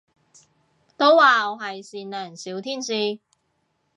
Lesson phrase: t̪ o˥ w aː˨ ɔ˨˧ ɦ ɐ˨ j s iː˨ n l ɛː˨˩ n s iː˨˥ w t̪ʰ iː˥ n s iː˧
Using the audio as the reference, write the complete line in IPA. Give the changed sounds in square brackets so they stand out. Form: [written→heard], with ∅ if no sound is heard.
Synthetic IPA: t̪ o˥ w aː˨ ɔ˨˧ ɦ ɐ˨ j s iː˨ n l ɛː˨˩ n s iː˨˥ w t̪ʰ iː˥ n s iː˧

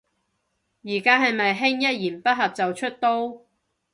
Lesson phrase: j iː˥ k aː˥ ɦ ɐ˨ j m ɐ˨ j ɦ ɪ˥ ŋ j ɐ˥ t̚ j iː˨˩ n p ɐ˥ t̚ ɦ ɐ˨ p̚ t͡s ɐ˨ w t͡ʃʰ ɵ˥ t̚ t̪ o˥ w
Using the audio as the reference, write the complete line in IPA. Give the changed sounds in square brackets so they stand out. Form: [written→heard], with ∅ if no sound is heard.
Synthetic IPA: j [iː˥→iː˨˩] k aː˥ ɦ ɐ˨ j m ɐ˨ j ɦ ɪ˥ ŋ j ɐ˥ t̚ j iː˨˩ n p ɐ˥ t̚ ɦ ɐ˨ p̚ t͡s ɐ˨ w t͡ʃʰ ɵ˥ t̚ t̪ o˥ w

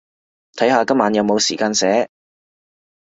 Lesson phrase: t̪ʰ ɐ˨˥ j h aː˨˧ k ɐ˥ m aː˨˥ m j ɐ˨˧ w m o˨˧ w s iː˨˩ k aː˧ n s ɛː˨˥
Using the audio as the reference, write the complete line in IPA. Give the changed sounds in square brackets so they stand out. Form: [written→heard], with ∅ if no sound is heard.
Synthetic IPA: t̪ʰ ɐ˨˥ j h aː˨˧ k ɐ˥ m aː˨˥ [m→n] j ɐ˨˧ w m o˨˧ w s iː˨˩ k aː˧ n s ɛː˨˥

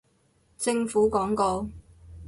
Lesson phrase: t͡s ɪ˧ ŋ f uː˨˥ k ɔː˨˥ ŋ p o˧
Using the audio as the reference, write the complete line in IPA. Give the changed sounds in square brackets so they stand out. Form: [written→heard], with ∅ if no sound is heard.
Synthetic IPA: t͡s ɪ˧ ŋ f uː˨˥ k ɔː˨˥ ŋ [p→k] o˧

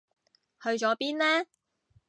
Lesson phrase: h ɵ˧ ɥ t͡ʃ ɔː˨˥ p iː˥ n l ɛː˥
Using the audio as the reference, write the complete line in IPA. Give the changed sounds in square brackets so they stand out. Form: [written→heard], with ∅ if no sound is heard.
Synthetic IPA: h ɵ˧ ɥ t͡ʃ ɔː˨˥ p iː˥ n l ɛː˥

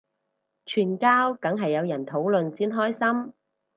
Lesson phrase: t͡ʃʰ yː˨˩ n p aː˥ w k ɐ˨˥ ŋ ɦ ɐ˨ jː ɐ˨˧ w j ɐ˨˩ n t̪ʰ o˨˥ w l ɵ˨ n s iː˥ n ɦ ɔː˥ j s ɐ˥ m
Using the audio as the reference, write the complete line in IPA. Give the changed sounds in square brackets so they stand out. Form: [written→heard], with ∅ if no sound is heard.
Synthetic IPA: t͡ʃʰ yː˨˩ n [p→k] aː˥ w k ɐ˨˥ ŋ ɦ ɐ˨ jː ɐ˨˧ w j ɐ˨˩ n t̪ʰ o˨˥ w l ɵ˨ n s iː˥ n ɦ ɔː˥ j s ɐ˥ m

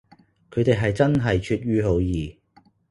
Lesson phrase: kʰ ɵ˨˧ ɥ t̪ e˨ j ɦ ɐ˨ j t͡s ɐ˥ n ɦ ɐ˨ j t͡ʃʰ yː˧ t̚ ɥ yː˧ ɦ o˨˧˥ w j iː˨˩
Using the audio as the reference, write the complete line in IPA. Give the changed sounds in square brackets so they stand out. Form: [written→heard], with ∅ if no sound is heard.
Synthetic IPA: kʰ ɵ˨˧ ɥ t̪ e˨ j ɦ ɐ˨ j t͡s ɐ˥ n ɦ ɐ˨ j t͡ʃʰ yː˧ t̚ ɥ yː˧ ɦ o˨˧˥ w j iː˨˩

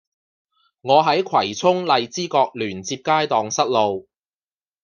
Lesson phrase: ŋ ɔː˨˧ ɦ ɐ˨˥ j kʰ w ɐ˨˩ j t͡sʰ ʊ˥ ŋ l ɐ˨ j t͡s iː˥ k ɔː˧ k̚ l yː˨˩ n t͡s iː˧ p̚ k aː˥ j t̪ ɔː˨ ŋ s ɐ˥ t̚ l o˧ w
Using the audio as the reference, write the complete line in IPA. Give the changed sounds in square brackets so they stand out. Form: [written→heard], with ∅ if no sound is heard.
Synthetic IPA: ŋ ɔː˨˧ ɦ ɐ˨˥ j kʰ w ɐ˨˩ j t͡sʰ ʊ˥ ŋ l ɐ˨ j t͡s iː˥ k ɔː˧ k̚ l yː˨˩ n t͡s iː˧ p̚ k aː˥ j t̪ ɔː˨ ŋ s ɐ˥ t̚ l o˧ w

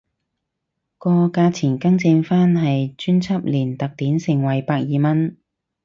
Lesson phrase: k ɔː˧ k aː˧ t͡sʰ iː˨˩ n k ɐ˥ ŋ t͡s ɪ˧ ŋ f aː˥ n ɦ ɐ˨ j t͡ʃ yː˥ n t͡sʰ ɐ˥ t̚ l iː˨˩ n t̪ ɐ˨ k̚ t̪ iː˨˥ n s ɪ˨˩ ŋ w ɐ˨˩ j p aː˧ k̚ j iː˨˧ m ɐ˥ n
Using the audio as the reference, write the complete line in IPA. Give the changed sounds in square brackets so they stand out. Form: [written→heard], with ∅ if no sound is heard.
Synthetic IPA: k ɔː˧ k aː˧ t͡sʰ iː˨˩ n k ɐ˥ ŋ t͡s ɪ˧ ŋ f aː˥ n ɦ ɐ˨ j t͡ʃ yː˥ n t͡sʰ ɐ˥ [t̚→p̚] l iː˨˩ n t̪ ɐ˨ k̚ t̪ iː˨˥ n s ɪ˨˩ ŋ w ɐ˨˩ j p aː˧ k̚ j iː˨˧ m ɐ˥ n

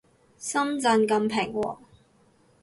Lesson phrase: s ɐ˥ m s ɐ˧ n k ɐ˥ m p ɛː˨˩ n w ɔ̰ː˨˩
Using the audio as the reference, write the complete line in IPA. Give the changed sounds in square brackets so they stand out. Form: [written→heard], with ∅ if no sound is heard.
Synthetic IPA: s ɐ˥ m [s→t͡s] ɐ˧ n k [ɐ˥→ɐ˧] m [p→pʰ] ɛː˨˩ [n→ŋ] w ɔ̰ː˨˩

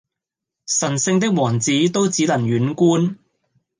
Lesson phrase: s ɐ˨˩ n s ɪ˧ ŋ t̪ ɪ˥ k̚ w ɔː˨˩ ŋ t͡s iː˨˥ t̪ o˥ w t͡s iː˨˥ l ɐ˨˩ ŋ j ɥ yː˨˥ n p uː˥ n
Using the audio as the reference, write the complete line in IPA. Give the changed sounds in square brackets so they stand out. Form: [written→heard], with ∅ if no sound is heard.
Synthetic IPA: s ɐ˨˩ n s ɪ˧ ŋ t̪ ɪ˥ k̚ w ɔː˨˩ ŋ t͡s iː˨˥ t̪ o˥ w t͡s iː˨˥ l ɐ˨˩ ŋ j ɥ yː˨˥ n [p→k] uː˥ n

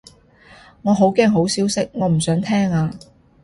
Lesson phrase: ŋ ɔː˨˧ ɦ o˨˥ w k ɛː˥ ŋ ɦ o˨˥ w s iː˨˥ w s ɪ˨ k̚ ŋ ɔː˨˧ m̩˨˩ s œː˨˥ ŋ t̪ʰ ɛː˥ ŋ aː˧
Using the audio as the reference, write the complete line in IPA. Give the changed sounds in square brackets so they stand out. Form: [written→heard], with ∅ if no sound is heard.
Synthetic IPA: ŋ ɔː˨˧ ɦ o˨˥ w k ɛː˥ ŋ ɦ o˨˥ w s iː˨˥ w s [ɪ˨→ɪ˥] k̚ ŋ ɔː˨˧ m̩˨˩ s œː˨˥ ŋ t̪ʰ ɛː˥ ŋ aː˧

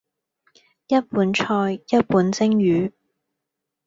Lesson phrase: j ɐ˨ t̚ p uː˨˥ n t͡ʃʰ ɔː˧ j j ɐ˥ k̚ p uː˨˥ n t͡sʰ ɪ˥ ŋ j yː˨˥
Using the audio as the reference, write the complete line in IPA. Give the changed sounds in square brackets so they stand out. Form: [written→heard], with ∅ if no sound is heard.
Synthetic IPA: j [ɐ˨→ɐ˥] t̚ p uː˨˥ n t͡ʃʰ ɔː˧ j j ɐ˥ [k̚→t̚] p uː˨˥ n [t͡sʰ→t͡s] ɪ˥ ŋ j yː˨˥

